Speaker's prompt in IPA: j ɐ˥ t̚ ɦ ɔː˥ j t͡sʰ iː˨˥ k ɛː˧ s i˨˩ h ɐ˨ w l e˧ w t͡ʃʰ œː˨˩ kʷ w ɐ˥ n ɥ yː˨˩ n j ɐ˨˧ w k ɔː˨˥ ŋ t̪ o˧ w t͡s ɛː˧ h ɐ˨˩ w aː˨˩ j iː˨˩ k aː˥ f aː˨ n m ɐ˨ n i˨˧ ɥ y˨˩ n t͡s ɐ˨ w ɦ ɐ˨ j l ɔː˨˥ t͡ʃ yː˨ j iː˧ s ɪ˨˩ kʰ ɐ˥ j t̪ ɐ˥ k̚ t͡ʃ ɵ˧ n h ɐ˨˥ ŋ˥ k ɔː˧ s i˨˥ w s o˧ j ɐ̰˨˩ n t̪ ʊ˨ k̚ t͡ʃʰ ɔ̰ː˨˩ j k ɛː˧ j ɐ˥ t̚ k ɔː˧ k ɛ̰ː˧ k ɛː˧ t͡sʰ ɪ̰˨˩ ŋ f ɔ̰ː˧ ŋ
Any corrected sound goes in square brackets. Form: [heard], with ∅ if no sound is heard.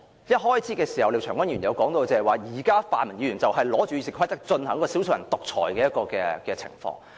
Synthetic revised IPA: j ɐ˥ t̚ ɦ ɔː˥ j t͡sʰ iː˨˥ k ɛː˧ s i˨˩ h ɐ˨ w l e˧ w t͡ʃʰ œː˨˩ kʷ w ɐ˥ n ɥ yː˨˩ n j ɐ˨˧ w k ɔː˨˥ ŋ t̪ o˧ w t͡s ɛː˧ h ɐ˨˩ w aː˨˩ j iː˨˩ k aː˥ f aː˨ n m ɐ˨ n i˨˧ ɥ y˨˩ n t͡s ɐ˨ w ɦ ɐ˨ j l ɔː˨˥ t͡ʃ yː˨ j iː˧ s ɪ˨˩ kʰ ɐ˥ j t̪ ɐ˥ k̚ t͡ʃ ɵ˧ n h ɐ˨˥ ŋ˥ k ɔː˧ s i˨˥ w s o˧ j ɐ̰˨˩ n t̪ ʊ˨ k̚ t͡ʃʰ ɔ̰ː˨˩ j k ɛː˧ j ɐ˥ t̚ k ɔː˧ k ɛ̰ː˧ k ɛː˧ t͡sʰ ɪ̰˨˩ ŋ f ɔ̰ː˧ ŋ